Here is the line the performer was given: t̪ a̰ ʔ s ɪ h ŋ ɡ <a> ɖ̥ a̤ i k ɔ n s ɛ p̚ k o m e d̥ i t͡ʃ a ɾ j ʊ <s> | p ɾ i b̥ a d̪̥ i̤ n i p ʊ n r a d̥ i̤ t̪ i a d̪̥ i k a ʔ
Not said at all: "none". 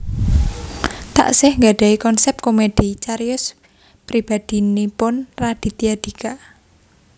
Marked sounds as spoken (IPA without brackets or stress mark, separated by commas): a, s